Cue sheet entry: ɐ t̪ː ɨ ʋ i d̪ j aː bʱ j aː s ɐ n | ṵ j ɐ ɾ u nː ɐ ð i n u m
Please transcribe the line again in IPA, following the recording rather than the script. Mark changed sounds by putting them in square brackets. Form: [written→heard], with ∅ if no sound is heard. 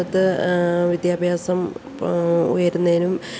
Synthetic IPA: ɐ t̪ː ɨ ʋ i d̪ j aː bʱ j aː s ɐ [n→m] | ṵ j ɐ ɾ u nː ɐ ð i n u m